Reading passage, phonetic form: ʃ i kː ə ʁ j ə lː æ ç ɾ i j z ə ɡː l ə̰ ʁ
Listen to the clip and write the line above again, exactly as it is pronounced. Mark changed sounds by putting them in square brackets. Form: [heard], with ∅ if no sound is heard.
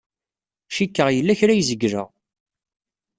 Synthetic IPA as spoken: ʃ i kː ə ʁ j ə lː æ ç ɾ [æ] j z ə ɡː [ɾ] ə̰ ʁ